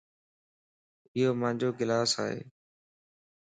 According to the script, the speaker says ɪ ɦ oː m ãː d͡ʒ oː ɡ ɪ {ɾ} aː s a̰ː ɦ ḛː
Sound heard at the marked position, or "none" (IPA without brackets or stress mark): l